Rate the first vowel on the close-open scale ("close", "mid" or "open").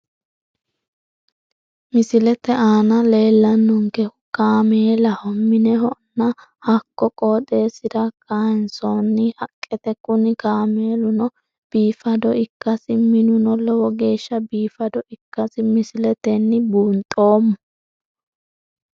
close